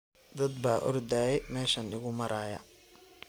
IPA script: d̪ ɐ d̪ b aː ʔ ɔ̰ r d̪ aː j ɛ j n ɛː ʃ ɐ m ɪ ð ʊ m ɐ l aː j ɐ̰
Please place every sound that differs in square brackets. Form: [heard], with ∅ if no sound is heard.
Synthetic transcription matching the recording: d̪ ɐ d̪ b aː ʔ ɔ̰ r d̪ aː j ɛ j [m] ɛː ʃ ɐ [n] ɪ [ɣ] ʊ m ɐ [ɾ] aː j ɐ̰